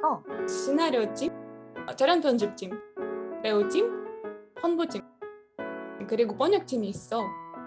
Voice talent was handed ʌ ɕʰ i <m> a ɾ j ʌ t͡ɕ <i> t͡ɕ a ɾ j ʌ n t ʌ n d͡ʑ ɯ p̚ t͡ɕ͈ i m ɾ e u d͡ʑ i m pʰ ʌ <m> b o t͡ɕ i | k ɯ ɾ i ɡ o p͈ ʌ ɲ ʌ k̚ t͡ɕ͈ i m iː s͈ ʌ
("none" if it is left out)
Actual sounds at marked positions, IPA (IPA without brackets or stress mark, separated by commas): n, i, n